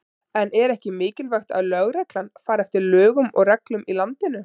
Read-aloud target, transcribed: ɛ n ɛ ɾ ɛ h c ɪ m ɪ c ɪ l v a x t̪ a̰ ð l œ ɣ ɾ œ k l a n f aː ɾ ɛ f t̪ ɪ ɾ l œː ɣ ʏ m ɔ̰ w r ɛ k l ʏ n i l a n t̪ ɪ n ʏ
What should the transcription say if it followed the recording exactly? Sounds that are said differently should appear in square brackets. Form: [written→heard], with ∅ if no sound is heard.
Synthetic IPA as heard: ɛ n ɛ ɾ ɛ h c ɪ m [ɪ→ɪː] c ɪ l v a x t̪ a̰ ð l œ ɣ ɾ [œ→ɛ] k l a n f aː ɾ ɛ f t̪ ɪ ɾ l œː ɣ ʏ m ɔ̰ [w→ɣ] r ɛ k l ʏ [n→m] i l a n t̪ ɪ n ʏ